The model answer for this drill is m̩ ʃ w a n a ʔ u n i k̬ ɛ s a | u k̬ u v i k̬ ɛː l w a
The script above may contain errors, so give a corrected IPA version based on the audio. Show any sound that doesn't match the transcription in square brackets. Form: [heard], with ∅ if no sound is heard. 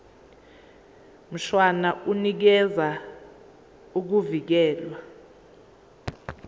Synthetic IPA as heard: m̩ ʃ w a n a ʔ u n i k̬ ɛ [z] a | u k̬ u v i k̬ ɛː l w a